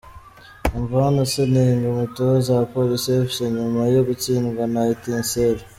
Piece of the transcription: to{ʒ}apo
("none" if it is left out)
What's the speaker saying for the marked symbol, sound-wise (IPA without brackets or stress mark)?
z